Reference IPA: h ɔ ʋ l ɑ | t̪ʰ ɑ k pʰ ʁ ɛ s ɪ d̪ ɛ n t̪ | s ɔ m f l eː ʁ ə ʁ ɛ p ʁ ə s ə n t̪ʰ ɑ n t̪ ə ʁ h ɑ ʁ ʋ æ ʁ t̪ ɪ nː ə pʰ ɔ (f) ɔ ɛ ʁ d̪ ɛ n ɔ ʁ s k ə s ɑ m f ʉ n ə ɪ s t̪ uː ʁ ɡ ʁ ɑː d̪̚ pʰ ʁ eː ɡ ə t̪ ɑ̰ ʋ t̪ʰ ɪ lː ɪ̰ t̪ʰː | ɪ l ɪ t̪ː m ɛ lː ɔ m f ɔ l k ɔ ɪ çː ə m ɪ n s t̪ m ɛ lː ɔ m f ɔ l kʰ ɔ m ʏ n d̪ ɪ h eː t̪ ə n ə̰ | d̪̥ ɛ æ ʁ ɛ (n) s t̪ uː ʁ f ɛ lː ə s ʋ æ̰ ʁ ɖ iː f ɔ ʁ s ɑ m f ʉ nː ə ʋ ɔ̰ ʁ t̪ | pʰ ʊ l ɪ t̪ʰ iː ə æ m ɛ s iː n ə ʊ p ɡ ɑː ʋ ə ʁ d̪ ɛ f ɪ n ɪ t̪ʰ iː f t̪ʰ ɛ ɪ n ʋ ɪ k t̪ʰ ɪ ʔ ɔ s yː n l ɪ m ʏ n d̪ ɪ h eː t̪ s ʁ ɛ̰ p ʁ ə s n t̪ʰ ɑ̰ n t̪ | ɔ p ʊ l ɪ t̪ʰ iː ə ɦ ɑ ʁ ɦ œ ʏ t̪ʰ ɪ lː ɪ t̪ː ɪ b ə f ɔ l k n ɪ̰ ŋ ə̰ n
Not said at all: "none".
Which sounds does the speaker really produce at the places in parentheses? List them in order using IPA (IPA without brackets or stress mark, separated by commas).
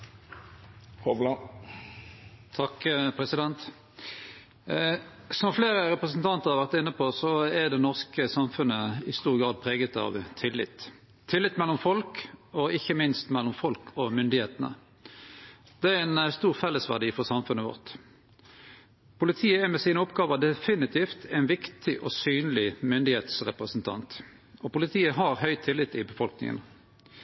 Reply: s, n